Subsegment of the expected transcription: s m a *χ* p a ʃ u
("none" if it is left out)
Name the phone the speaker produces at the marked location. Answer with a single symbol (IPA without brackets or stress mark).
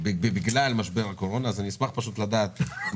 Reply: χ